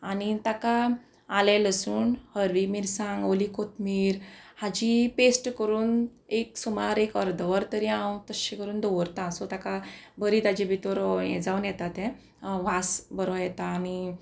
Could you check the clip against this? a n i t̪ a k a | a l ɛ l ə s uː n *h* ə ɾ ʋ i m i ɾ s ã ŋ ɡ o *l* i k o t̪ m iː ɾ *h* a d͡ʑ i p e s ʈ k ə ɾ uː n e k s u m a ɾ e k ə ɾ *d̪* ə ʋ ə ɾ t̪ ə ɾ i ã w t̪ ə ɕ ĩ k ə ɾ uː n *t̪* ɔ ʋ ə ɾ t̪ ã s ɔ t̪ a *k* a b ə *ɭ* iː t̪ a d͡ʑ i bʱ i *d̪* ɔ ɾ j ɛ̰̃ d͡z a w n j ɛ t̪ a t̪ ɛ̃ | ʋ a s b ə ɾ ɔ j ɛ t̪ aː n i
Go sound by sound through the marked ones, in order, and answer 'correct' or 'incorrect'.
correct, correct, correct, correct, incorrect: d̪, correct, incorrect: ɾ, incorrect: t̪

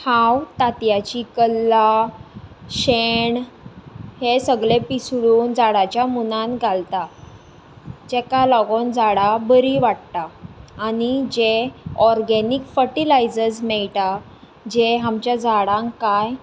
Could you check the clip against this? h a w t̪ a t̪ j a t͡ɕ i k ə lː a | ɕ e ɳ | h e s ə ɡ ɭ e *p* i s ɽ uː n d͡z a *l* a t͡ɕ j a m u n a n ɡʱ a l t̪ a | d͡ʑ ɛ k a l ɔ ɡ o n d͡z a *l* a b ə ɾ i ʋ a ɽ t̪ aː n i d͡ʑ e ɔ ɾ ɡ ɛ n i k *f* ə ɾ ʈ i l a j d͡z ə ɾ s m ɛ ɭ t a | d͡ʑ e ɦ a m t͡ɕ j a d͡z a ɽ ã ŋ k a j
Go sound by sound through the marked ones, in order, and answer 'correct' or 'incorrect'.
correct, incorrect: ɽ, incorrect: ɽ, correct

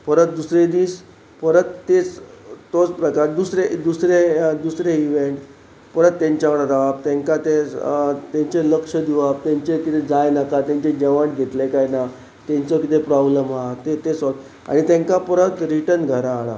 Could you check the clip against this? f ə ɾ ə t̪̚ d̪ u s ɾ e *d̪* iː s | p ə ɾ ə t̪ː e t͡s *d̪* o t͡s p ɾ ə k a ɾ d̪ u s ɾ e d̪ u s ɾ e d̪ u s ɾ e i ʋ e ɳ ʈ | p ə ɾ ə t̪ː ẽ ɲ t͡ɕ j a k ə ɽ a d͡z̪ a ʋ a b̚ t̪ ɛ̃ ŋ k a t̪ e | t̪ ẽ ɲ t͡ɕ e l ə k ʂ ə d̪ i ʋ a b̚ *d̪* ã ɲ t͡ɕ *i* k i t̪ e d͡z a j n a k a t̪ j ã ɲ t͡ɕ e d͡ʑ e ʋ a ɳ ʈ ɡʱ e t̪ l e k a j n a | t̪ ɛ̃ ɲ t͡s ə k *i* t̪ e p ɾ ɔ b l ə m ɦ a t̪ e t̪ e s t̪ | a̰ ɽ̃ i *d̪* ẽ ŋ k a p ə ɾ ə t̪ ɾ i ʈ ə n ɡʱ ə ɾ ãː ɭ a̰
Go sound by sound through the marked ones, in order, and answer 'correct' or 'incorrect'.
correct, incorrect: t̪, incorrect: t̪, incorrect: e, correct, incorrect: t̪

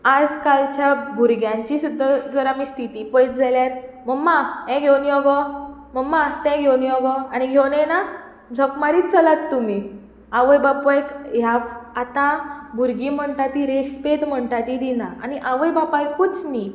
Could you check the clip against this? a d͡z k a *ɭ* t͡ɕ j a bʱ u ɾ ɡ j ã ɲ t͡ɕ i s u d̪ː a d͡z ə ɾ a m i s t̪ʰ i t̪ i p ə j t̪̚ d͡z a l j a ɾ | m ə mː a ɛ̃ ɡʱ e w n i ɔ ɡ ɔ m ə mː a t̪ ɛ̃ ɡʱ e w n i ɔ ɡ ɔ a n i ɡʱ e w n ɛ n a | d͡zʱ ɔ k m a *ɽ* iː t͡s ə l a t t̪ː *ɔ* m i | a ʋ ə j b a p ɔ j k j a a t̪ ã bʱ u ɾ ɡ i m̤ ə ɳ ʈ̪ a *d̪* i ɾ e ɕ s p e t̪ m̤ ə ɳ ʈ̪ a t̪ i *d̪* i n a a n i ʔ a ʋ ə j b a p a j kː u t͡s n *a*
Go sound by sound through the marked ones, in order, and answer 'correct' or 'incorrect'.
incorrect: l, incorrect: ɾ, incorrect: u, incorrect: t̪, correct, incorrect: i

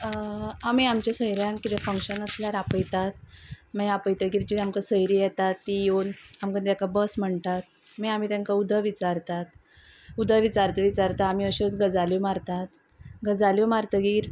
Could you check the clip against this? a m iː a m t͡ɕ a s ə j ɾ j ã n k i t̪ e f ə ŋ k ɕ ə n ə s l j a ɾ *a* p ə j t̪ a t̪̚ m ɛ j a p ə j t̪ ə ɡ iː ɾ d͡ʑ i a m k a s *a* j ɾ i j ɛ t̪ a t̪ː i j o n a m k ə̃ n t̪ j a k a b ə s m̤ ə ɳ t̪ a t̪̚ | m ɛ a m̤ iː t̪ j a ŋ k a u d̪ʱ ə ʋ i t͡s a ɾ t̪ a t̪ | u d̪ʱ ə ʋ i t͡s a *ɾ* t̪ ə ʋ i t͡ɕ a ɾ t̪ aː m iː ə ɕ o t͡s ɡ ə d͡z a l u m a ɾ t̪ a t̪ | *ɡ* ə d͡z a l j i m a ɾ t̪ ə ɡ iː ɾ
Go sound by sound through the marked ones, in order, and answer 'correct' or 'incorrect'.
correct, incorrect: ə, correct, correct

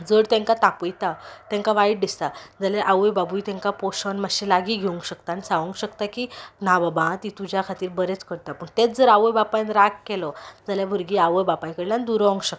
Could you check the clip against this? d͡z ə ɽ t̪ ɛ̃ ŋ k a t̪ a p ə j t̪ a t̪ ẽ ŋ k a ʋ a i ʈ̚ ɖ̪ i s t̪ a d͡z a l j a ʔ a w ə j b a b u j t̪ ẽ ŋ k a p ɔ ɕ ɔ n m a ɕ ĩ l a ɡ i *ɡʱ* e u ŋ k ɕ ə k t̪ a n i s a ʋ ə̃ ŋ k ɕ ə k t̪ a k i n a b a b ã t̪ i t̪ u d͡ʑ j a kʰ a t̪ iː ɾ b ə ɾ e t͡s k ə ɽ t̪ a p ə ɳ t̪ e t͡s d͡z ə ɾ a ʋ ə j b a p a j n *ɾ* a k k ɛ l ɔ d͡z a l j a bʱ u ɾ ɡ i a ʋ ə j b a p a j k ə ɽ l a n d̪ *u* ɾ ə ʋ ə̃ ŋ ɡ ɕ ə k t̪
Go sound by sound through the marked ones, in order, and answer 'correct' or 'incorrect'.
correct, correct, correct

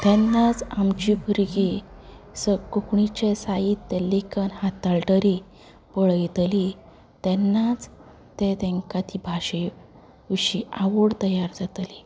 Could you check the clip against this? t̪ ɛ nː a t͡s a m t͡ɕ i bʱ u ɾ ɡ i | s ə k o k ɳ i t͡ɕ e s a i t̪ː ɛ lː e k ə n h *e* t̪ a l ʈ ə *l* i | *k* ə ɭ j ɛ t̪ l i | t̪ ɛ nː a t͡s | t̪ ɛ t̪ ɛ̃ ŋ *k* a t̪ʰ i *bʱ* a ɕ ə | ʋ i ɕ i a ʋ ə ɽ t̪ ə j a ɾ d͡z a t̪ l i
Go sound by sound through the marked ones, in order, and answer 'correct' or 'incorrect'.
incorrect: a, incorrect: ɾ, incorrect: p, correct, correct

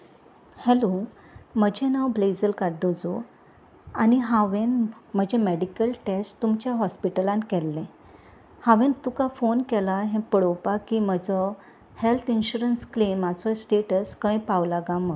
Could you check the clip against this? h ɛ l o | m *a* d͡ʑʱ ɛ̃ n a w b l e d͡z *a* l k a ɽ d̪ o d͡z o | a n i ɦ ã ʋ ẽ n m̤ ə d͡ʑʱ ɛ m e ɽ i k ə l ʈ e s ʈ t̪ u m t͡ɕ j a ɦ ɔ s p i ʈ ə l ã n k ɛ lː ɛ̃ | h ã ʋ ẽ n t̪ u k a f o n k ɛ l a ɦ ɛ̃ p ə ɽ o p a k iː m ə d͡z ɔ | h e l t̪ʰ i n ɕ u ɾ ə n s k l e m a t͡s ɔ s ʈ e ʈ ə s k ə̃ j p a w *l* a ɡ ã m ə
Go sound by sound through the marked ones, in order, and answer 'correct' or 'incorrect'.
incorrect: ə, incorrect: ə, correct

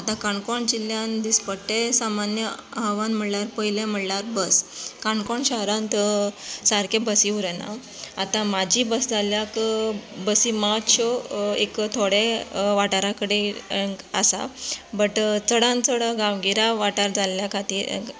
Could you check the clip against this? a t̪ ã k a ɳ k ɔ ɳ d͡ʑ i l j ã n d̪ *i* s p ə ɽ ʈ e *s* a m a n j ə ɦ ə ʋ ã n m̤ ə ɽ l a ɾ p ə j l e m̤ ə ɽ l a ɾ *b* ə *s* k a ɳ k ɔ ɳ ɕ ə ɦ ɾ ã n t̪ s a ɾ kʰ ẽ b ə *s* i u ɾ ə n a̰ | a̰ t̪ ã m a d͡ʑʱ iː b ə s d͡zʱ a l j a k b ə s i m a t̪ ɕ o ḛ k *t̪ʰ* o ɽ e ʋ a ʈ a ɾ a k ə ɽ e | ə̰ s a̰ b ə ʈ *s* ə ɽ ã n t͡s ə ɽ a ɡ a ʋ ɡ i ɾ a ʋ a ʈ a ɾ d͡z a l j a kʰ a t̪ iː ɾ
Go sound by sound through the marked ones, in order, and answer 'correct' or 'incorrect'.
correct, correct, correct, correct, correct, correct, incorrect: t͡s

